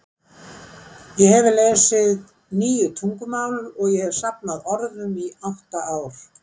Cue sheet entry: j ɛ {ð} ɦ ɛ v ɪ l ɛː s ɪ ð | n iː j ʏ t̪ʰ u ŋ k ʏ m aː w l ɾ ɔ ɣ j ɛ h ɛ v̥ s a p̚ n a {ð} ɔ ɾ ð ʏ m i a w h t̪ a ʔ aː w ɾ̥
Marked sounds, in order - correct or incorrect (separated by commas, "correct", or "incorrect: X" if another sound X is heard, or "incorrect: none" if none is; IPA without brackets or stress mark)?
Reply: incorrect: none, correct